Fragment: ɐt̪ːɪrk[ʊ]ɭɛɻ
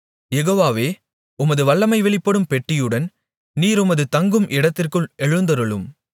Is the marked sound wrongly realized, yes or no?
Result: yes